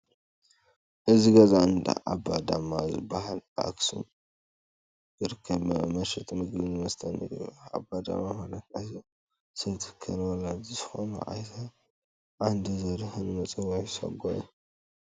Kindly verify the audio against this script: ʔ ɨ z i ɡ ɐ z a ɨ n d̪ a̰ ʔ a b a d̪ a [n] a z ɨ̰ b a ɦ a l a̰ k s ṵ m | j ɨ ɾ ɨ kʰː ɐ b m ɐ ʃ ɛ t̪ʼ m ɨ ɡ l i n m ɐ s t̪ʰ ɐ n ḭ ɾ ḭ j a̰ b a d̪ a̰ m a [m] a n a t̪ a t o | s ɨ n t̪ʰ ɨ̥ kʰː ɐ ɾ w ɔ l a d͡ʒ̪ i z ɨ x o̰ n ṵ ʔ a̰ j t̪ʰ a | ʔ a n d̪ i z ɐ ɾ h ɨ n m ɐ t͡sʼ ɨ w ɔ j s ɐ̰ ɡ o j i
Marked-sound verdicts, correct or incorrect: incorrect, correct

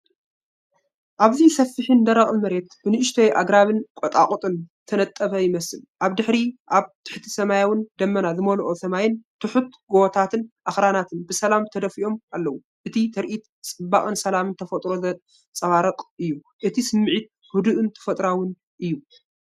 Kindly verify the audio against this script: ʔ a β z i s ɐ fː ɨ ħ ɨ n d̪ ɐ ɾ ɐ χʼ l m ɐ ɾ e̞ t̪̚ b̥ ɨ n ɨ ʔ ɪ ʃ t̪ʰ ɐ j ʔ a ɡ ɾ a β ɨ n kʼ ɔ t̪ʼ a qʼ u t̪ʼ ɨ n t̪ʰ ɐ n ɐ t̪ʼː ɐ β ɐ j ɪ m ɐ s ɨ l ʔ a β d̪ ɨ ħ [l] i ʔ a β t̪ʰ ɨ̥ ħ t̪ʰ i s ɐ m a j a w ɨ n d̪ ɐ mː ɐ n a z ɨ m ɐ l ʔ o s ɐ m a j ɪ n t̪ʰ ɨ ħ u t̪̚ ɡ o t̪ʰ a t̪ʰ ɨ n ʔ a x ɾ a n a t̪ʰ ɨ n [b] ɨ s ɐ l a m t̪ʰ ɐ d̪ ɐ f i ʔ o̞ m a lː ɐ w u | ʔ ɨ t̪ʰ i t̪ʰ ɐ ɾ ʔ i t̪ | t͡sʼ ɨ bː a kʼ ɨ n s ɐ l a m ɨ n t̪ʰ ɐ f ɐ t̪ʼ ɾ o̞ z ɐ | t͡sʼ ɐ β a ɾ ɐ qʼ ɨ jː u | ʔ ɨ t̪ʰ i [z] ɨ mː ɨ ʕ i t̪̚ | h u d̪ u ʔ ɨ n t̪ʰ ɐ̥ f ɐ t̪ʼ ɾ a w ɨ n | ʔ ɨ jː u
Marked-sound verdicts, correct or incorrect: incorrect, correct, incorrect

